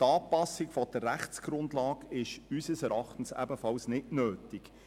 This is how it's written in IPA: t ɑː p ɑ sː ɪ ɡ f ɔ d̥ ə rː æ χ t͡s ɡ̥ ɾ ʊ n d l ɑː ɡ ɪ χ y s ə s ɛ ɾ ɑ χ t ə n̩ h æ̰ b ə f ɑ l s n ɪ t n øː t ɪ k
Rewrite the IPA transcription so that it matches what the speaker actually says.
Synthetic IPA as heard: t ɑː p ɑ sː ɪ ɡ f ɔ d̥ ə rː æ χ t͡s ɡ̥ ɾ ʊ n d l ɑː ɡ ɪ ʃ y s ə s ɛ ɾ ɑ χ t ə n̩ s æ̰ b ə f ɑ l s n ɪ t n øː t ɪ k